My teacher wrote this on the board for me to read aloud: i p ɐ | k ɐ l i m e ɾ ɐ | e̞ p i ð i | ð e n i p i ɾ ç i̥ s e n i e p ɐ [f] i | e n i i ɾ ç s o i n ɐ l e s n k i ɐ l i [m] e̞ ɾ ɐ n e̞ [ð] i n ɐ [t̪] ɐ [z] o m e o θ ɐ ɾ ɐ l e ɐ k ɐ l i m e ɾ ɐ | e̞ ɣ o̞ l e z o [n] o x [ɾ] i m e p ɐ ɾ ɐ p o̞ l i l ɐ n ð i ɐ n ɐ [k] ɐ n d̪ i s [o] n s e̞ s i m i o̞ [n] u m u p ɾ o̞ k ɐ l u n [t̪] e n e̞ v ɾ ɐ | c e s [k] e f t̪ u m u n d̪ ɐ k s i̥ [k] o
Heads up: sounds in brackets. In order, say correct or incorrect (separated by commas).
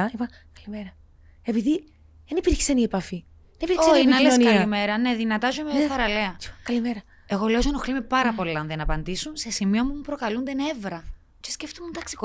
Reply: correct, correct, correct, correct, correct, correct, incorrect, incorrect, incorrect, incorrect, incorrect, incorrect, correct